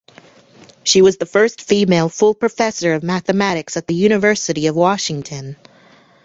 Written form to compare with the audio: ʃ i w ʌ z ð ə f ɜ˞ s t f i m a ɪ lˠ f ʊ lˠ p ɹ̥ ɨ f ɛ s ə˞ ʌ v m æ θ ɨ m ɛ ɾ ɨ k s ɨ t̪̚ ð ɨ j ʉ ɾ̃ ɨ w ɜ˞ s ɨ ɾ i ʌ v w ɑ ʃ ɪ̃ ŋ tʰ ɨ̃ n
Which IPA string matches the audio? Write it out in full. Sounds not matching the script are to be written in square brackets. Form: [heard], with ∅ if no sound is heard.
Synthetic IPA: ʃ i w ʌ z ð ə f ɜ˞ s t f i m [e] ɪ lˠ f ʊ lˠ p ɹ̥ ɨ f ɛ s ə˞ ʌ v m æ θ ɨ m [æ] ɾ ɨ k s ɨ t̪̚ ð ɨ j ʉ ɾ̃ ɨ [v] ɜ˞ s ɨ ɾ i ʌ v w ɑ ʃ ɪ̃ ŋ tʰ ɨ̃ n

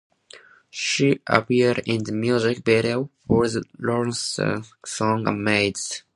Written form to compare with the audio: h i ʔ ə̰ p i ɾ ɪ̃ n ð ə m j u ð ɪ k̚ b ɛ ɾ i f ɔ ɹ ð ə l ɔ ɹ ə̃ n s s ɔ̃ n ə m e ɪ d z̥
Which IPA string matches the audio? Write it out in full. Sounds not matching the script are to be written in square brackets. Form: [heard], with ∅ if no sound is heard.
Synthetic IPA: [ʃ] i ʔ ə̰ p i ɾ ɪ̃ n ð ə m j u [z] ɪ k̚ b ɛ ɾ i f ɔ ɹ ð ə l ɔ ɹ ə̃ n s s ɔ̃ [ŋ] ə m e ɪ d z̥

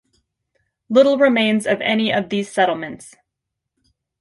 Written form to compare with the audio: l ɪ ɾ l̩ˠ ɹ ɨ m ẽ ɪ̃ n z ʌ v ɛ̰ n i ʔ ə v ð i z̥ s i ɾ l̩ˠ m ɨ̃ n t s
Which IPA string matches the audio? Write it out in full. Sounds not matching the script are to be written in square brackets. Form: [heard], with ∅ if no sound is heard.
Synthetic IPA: l ɪ ɾ l̩ˠ ɹ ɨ m ẽ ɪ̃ n z ʌ v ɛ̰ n i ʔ [ʌ] v ð i z̥ s [ɛ] ɾ l̩ˠ m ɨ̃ n t s

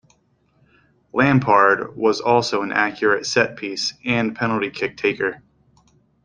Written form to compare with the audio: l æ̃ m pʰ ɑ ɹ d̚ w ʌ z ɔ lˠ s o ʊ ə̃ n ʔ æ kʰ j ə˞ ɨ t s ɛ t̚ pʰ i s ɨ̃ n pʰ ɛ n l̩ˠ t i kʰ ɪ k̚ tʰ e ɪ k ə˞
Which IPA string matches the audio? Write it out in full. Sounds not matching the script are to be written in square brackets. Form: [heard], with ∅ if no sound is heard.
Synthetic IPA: l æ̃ m pʰ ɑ ɹ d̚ w ʌ z ɔ lˠ s o ʊ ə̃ n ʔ æ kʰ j ə˞ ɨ t s ɛ t̚ pʰ i s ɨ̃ n pʰ ɛ n l̩ˠ t i kʰ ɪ k̚ tʰ e ɪ k ə˞

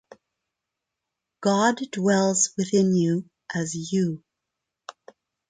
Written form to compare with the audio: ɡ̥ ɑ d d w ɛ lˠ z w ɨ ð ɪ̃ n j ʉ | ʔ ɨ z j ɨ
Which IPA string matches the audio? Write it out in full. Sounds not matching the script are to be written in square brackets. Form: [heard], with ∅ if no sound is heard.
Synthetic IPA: ɡ̥ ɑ d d w ɛ lˠ z w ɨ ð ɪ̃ n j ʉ | ʔ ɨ z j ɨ

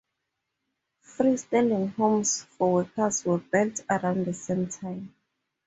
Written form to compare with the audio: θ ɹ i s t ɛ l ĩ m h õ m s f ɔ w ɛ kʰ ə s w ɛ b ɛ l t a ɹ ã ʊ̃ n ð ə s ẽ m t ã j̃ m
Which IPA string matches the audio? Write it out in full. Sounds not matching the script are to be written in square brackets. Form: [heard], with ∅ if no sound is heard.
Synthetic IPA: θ ɹ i s t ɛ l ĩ [ŋ] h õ m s f ɔ w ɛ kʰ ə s w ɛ b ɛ l t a ɹ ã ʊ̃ n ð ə s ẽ m [tʰ] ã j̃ m

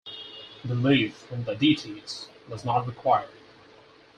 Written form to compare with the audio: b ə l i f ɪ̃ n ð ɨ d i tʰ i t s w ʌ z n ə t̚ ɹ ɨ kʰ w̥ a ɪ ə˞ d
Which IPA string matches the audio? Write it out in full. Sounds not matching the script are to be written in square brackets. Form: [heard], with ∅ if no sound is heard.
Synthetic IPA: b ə l i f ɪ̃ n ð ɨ d i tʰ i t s w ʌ z n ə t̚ ɹ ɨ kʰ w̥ a ɪ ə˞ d

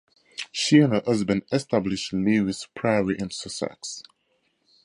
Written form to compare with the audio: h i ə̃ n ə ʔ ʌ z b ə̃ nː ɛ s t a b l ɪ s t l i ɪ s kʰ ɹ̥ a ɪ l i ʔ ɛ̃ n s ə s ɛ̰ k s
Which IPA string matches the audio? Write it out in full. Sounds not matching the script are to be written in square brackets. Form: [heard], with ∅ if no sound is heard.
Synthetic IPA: [ʃ] i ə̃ n ə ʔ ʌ z b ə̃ [n] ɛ s t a b l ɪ [ʃ] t l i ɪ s [pʰ] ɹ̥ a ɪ [ɹ] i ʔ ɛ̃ n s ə s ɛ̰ k s

